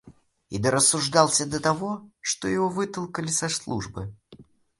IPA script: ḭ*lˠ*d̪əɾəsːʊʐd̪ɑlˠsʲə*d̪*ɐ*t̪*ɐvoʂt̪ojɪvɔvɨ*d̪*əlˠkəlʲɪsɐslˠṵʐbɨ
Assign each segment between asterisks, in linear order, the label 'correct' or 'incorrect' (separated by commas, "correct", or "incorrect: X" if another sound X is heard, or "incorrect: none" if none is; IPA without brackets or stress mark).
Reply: incorrect: none, correct, correct, incorrect: t̪